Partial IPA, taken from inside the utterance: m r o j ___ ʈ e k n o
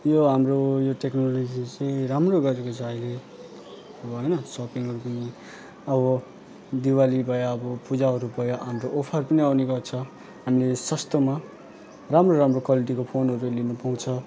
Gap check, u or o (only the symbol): o